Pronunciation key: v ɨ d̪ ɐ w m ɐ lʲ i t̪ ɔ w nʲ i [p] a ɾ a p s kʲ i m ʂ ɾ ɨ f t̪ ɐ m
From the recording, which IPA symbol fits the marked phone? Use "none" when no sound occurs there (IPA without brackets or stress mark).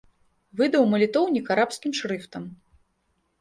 k